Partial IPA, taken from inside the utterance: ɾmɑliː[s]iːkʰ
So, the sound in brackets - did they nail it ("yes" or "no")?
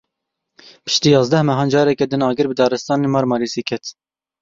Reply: yes